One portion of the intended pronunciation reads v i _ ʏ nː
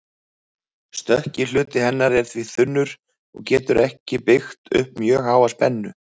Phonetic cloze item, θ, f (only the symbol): θ